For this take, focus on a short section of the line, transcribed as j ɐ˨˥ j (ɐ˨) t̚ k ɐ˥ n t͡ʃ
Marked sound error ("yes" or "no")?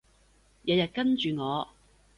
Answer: no